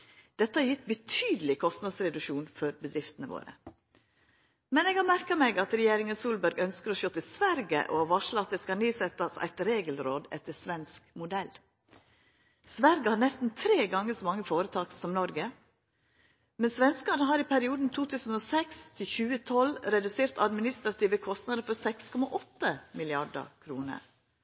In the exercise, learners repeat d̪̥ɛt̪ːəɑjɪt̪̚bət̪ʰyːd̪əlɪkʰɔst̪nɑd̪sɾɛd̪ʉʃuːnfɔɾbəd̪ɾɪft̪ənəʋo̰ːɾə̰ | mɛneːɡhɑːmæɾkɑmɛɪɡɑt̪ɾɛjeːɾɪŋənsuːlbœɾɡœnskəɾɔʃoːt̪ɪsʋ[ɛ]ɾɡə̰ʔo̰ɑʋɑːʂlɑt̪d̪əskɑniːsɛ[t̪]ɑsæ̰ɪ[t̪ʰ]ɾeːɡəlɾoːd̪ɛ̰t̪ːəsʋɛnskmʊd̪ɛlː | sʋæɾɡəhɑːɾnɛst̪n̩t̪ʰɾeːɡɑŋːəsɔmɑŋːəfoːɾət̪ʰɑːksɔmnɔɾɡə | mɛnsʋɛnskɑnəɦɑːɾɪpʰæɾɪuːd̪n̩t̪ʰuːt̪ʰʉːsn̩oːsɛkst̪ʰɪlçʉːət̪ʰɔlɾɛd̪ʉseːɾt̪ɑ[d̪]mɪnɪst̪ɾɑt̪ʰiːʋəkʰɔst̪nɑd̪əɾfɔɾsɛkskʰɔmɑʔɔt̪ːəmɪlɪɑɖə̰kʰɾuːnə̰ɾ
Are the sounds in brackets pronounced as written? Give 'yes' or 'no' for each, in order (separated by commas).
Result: no, yes, no, yes